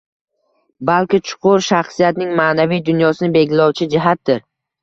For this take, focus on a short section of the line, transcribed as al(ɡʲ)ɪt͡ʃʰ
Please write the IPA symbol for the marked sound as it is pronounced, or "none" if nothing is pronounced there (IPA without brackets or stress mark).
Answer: kʲ